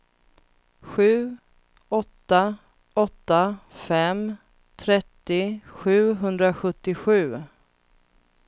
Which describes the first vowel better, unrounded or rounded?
rounded